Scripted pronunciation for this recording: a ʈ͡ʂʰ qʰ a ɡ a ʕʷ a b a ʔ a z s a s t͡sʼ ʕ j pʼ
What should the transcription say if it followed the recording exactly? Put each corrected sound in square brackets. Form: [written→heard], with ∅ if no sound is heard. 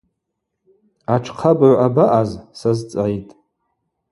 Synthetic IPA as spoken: a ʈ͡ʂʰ qʰ a [ɡ→b] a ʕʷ a b a ʔ a z s a [s→z] t͡sʼ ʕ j [pʼ→tʼ]